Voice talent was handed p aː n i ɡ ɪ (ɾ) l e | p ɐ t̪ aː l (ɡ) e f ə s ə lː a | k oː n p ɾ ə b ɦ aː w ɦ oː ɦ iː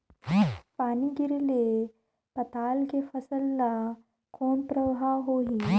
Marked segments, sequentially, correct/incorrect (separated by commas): correct, incorrect